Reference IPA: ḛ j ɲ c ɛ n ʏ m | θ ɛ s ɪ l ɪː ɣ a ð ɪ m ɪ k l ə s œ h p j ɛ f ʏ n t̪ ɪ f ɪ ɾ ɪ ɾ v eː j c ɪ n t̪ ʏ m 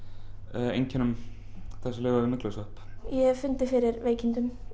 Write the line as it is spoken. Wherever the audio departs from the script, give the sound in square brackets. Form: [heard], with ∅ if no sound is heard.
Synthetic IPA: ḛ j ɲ c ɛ n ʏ m | θ ɛ s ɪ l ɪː ɣ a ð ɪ m ɪ k l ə s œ h p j ɛ f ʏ n t̪ ɪ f ɪ ɾ ɪ ɾ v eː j c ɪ n t̪ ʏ m